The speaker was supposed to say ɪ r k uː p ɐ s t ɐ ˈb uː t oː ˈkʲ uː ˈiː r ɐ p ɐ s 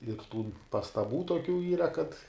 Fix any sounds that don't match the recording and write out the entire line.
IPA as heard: ɪ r t uː p ɐ s t ɐ ˈb uː t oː ˈkʲ uː ˈiː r ɐ k ɐ t